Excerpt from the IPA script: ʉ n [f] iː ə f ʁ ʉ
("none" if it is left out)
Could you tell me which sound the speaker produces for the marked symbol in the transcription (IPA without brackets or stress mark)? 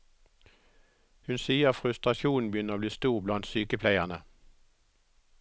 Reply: s